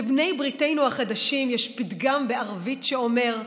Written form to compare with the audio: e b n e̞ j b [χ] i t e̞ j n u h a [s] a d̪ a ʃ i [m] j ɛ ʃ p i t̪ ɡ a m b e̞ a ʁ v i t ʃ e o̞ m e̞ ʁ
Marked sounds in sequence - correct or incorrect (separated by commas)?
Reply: incorrect, incorrect, correct